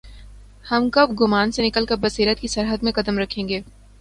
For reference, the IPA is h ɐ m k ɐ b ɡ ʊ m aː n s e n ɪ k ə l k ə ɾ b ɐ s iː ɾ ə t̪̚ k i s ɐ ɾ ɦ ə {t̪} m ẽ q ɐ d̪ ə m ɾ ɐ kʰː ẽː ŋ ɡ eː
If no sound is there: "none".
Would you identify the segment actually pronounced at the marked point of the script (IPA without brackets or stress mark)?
d̪